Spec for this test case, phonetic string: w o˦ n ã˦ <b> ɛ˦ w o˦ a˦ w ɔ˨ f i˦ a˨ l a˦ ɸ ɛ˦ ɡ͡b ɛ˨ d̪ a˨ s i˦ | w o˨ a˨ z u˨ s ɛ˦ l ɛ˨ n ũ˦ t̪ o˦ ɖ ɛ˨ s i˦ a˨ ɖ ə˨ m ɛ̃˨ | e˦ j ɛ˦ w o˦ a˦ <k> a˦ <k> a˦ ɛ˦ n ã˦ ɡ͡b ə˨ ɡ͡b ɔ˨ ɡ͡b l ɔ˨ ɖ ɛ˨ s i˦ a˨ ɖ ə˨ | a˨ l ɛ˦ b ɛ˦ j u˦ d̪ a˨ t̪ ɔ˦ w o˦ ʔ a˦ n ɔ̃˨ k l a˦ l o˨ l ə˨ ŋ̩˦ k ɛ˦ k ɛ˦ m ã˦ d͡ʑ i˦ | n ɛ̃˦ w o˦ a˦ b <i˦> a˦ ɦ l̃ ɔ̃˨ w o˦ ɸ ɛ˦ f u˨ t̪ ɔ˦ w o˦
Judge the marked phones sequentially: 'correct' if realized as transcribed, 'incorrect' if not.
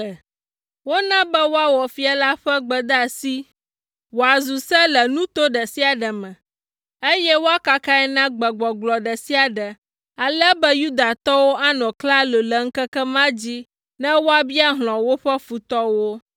correct, correct, correct, correct

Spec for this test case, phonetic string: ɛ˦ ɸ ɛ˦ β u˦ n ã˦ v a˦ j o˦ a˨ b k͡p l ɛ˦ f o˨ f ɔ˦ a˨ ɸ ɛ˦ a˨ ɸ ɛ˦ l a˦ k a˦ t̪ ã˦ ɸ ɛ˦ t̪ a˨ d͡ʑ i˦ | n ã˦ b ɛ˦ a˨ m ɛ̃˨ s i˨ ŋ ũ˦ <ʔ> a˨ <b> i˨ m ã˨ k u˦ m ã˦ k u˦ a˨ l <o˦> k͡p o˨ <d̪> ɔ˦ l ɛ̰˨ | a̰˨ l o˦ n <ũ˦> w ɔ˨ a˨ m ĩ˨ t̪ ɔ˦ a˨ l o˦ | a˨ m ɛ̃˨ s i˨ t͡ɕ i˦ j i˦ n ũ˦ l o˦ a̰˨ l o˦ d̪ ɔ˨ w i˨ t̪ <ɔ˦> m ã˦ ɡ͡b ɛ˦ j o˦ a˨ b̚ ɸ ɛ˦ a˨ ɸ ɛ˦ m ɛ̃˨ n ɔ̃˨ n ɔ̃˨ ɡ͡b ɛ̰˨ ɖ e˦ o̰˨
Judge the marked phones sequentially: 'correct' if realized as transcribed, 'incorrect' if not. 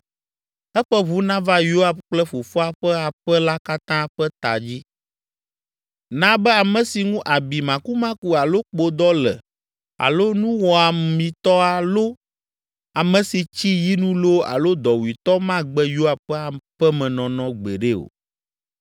correct, correct, correct, correct, correct, correct

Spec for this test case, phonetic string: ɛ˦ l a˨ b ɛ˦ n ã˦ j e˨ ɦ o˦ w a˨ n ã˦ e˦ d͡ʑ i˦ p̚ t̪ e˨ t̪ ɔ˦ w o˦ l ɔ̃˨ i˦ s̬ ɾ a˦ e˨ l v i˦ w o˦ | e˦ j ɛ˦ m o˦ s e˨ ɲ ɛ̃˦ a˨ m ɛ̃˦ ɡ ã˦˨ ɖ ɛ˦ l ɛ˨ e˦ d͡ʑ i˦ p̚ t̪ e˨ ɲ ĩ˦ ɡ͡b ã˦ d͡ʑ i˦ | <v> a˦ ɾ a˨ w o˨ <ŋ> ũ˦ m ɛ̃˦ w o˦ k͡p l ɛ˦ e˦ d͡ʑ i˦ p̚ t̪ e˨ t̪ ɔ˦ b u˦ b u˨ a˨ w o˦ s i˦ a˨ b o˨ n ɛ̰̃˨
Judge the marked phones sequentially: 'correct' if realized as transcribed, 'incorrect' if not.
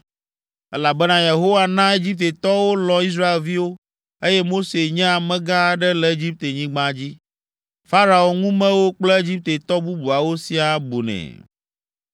incorrect, correct

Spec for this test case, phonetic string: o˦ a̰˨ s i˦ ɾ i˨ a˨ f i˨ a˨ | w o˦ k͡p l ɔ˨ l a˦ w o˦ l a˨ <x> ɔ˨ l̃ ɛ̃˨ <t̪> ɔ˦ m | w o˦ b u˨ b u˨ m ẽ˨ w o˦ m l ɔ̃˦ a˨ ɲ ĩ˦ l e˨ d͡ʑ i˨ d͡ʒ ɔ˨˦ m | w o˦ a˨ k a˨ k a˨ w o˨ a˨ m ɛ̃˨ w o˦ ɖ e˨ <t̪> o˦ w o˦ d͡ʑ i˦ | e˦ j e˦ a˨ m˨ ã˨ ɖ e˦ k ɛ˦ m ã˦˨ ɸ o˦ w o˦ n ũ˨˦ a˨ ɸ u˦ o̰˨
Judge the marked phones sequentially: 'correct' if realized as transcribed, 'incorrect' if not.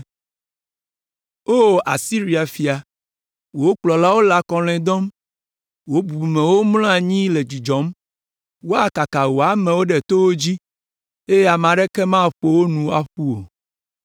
incorrect, incorrect, correct

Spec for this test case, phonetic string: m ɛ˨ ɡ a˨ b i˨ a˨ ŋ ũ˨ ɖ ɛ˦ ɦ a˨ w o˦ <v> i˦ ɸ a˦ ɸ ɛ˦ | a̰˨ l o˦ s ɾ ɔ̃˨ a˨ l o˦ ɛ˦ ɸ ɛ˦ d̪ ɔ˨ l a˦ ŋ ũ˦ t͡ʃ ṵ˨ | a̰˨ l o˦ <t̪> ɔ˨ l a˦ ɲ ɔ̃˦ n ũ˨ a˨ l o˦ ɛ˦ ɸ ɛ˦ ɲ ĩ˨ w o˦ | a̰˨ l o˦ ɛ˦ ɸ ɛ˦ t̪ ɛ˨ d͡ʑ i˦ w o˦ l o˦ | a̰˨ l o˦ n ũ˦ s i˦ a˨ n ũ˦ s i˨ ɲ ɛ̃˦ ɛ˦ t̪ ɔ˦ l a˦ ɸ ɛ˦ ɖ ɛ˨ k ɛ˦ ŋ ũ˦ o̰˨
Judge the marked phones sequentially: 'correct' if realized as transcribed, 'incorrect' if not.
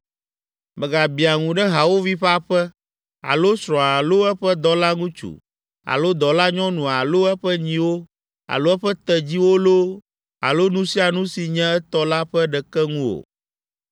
correct, incorrect

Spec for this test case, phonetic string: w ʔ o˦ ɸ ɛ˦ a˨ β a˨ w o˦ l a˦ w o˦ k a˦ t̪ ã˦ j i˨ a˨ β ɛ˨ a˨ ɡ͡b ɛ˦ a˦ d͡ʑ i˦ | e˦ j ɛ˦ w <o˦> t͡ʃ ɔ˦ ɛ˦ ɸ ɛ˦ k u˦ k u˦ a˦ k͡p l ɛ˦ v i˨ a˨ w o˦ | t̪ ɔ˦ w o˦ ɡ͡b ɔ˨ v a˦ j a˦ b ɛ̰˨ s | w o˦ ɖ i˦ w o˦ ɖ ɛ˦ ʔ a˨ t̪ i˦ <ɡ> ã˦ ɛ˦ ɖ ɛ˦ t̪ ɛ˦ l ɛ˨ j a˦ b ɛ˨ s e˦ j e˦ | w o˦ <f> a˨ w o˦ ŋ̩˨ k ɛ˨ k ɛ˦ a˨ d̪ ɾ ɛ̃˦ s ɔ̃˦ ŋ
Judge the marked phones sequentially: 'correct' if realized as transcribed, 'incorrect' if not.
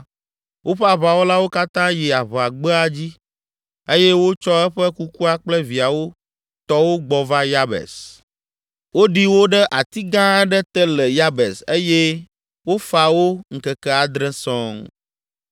correct, correct, correct

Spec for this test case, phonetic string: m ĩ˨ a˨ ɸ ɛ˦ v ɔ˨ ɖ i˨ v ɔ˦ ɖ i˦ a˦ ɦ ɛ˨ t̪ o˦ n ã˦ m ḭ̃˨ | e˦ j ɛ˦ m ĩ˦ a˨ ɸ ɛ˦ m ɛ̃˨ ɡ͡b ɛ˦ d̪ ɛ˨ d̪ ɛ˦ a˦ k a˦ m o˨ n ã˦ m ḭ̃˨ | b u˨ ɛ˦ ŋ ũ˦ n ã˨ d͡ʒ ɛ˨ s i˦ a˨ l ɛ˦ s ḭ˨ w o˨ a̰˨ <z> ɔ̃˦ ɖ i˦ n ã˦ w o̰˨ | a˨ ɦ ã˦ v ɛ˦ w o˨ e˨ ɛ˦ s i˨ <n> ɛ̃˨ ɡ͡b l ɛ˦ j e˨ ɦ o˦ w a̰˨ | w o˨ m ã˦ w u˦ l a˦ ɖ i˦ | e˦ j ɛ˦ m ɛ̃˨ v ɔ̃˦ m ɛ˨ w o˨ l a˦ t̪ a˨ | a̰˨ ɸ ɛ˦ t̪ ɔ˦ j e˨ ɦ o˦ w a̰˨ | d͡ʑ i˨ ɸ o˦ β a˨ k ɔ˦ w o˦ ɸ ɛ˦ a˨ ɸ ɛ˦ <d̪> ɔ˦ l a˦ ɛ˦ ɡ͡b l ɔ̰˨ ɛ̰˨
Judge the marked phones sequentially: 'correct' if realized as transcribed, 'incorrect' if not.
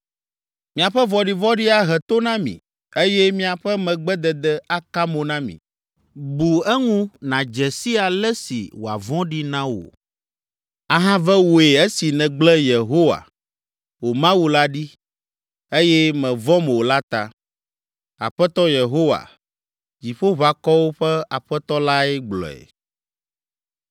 incorrect, correct, incorrect

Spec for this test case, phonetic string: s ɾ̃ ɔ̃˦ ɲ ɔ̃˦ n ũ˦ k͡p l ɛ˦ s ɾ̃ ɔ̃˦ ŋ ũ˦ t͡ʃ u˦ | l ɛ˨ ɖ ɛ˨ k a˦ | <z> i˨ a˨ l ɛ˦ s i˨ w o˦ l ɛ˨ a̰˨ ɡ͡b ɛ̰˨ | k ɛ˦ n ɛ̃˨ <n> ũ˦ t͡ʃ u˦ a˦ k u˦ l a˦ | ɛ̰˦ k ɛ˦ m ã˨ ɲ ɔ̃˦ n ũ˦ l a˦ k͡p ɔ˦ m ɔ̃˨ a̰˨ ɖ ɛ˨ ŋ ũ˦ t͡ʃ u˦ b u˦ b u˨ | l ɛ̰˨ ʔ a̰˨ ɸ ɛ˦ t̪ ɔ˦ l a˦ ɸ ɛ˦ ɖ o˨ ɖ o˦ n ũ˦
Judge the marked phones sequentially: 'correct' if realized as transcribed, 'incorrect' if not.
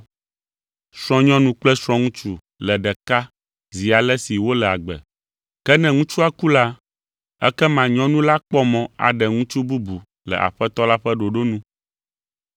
correct, incorrect

